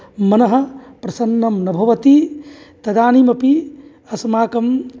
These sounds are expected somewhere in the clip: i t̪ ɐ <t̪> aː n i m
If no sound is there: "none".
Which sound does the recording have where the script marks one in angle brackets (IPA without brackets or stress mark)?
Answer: d̪